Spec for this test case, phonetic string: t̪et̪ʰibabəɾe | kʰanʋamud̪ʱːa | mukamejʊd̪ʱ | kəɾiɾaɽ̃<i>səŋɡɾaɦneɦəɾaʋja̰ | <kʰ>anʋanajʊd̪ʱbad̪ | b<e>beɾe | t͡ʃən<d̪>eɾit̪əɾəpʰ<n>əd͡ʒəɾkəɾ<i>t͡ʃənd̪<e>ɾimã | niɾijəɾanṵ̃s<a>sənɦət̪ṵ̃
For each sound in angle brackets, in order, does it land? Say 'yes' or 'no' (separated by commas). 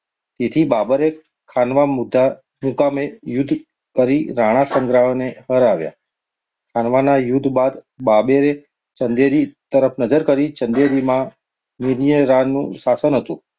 no, yes, no, yes, yes, yes, yes, yes